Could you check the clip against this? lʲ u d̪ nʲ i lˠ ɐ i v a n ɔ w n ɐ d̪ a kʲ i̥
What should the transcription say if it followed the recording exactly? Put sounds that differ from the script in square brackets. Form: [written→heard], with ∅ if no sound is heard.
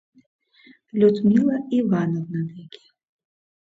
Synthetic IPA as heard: lʲ u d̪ [nʲ→mʲ] i lˠ ɐ i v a n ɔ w n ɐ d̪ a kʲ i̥